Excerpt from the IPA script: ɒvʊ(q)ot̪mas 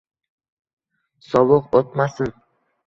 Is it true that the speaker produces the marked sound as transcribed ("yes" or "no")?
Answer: yes